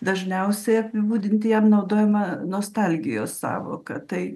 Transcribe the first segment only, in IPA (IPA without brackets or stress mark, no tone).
d̪